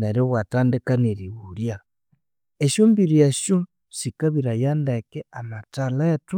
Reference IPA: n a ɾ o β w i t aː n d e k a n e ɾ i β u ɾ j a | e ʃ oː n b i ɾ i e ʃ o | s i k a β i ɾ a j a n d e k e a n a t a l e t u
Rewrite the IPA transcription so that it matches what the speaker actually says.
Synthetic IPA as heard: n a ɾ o β w a t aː n d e k a n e ɾ i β u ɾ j a | e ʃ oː m b i ɾ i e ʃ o | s i k a β i ɾ a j a n d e k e a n a t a l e t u